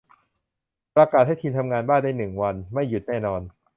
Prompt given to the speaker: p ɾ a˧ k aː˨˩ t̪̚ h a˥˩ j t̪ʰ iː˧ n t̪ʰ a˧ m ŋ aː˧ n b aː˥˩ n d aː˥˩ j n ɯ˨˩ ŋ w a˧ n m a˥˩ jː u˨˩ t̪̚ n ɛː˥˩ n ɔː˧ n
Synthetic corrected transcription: p ɾ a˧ k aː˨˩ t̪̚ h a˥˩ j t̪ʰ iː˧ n t̪ʰ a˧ m ŋ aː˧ n b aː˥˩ n d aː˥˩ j n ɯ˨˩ ŋ w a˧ n m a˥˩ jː u˨˩ t̪̚ n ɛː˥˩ n ɔː˧ n